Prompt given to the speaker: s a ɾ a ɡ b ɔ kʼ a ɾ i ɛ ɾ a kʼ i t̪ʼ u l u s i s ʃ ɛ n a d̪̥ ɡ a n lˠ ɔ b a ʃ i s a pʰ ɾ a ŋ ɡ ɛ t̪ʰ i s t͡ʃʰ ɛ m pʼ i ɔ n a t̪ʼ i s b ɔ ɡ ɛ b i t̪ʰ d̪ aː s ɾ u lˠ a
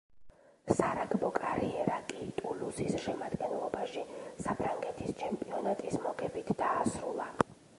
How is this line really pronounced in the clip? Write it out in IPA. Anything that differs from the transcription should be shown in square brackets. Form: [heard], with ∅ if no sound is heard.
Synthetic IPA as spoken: s a ɾ a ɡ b ɔ kʼ a ɾ i ɛ ɾ a kʼ i t̪ʼ u l u s i s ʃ ɛ [m] a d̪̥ ɡ [ɛ] n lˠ ɔ b a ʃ i s a pʰ ɾ a ŋ ɡ ɛ t̪ʰ i s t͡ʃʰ ɛ m pʼ i ɔ n a t̪ʼ i s [m] ɔ ɡ ɛ b i t̪ʰ d̪ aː s ɾ u lˠ a